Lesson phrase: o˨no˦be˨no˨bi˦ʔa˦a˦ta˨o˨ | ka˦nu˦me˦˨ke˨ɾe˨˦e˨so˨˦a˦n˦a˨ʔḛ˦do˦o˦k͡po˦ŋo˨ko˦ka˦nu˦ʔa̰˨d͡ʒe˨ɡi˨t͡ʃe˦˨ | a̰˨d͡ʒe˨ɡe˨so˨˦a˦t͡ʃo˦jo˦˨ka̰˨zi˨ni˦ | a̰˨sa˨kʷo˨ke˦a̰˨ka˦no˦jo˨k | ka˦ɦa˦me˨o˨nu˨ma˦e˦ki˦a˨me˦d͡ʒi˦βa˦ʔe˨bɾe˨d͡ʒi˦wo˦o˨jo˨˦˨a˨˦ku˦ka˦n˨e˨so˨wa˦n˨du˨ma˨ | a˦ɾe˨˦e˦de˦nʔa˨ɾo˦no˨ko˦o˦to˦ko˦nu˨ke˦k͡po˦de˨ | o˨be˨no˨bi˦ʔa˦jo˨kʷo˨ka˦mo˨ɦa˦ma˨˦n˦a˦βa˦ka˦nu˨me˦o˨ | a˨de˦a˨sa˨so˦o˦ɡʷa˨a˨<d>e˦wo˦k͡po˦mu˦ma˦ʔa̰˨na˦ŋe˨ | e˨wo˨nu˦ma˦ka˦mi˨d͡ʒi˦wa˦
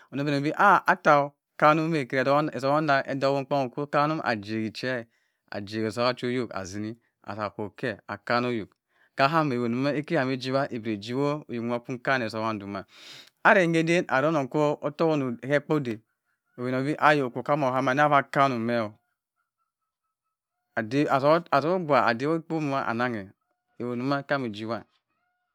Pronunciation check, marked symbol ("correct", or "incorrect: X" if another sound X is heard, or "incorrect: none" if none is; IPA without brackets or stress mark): correct